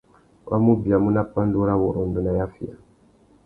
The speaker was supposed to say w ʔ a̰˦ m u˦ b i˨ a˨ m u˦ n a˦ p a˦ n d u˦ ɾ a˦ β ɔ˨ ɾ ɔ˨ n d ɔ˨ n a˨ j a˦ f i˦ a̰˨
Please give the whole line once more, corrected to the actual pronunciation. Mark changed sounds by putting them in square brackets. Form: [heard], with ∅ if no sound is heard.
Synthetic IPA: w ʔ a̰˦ m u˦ b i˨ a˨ m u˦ n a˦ p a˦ n d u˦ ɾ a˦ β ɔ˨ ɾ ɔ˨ n d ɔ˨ n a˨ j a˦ f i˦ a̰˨